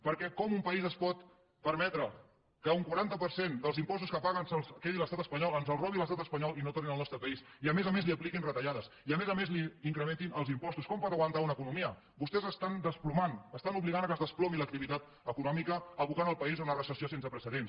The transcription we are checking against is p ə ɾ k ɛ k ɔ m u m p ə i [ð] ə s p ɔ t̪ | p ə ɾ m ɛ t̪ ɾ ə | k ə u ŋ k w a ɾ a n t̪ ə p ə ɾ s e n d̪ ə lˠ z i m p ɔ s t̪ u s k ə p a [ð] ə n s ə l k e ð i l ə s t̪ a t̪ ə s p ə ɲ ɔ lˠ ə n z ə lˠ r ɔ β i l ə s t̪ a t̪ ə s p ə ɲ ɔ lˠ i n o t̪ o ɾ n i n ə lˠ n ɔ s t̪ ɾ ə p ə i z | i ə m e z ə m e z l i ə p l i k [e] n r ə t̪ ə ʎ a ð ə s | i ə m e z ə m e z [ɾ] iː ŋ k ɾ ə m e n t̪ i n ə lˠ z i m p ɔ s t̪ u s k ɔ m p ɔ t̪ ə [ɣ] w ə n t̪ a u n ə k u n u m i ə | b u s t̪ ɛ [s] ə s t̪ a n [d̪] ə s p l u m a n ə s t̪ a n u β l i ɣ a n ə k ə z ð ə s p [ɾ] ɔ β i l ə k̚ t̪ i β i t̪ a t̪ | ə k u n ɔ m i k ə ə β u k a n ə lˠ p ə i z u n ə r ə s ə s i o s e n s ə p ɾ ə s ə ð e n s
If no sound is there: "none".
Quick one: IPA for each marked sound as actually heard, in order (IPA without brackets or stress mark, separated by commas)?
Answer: z, ɣ, i, l, ɣ, z, d̪, l